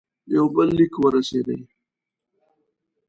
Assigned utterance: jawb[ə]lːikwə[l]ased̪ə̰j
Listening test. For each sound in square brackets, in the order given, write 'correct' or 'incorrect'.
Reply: correct, incorrect: ɾ

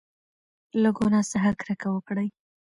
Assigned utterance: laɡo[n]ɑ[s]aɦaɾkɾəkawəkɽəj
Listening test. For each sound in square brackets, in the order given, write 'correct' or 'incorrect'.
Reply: correct, correct

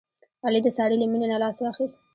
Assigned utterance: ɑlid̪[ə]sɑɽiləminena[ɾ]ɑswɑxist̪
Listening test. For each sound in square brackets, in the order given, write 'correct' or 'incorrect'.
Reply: correct, incorrect: l

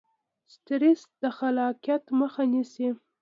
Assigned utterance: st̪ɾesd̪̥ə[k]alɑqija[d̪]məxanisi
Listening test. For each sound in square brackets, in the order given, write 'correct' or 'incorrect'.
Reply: incorrect: x, incorrect: t̪

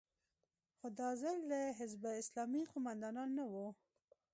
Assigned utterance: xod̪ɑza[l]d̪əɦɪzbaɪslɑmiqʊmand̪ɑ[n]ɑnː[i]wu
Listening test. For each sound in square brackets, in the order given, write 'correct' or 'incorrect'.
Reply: correct, correct, incorrect: a

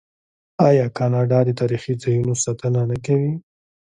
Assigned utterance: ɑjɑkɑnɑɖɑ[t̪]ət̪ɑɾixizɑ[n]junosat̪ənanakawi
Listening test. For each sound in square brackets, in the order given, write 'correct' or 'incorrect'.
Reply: incorrect: d̪, incorrect: none

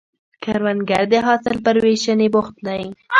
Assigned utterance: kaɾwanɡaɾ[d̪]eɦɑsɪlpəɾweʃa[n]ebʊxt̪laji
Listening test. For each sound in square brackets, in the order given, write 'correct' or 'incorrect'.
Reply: correct, correct

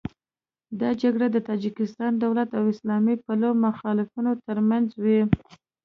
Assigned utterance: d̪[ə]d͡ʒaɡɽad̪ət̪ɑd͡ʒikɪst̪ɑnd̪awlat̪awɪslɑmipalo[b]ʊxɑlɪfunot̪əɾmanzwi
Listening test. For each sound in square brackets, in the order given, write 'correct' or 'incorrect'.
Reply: incorrect: ɑ, incorrect: m

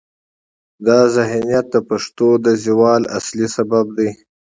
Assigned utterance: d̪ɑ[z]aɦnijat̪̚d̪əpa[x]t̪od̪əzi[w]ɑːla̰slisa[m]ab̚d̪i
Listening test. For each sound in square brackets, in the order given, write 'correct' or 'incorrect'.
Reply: correct, incorrect: ʂ, correct, incorrect: b

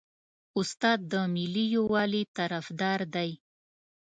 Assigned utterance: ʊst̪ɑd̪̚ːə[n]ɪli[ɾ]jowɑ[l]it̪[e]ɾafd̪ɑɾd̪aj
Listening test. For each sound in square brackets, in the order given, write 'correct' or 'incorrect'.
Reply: incorrect: m, incorrect: none, correct, incorrect: a

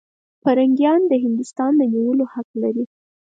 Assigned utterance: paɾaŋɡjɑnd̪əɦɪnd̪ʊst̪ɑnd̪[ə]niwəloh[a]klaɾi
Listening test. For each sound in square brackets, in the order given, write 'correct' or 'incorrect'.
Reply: correct, correct

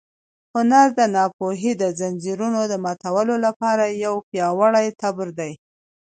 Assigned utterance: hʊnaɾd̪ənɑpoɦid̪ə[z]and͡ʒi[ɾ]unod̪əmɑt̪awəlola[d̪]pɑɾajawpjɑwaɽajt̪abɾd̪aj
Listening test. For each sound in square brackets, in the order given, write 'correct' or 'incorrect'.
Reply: correct, correct, incorrect: none

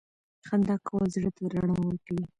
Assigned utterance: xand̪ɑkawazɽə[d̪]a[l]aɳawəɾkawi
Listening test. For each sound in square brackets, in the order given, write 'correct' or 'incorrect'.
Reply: incorrect: t̪, incorrect: ɾ

